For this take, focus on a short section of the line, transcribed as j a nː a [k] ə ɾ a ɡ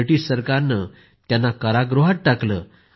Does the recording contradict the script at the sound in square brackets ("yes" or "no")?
no